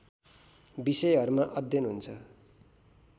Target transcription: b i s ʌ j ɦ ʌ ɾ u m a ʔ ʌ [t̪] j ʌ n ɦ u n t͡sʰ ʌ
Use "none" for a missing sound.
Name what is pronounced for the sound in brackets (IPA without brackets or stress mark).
d̪